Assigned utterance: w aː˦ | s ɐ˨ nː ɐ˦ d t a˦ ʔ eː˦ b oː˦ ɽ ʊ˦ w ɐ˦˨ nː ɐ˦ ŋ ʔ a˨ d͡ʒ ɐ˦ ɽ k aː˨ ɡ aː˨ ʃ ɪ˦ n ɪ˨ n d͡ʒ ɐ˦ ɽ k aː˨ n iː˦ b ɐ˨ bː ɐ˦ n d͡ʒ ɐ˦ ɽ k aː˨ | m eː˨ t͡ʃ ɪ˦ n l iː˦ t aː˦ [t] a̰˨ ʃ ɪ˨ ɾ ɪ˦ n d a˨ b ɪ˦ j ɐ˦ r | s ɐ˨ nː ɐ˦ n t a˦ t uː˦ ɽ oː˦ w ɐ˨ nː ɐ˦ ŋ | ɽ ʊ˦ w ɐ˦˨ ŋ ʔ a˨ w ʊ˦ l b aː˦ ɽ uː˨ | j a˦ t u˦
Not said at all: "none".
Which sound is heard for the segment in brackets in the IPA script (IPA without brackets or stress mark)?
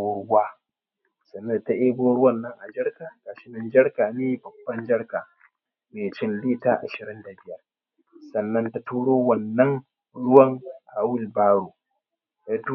ʔ